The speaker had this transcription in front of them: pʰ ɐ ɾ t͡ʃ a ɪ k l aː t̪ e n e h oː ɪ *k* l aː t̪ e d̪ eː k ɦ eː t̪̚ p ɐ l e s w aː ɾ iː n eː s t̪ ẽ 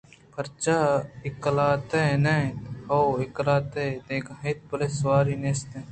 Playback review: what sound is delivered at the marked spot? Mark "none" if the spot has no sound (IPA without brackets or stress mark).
k